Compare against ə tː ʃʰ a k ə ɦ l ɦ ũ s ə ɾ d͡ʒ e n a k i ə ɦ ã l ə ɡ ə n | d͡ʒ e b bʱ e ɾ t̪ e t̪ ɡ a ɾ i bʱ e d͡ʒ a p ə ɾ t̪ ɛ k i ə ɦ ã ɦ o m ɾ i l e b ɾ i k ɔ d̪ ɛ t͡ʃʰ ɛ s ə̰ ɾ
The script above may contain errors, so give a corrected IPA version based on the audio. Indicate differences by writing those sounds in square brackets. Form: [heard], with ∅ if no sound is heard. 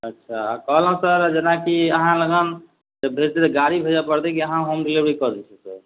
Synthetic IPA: ə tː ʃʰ a k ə ɦ l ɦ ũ s ə ɾ d͡ʒ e n a k i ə ɦ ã l ə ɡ ə n | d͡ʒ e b bʱ e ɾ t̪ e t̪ ɡ a ɾ i bʱ e d͡ʒ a p ə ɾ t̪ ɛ k i ə ɦ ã ɦ o m ɾ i l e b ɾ i k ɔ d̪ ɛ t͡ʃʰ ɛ s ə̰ ɾ